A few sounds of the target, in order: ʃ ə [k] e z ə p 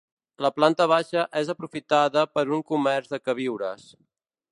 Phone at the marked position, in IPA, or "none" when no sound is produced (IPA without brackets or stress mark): ʔ